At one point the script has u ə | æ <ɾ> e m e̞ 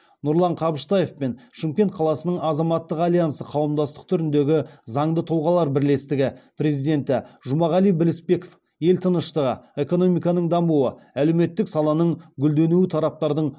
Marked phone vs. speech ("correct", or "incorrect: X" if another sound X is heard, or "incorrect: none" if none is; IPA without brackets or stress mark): incorrect: l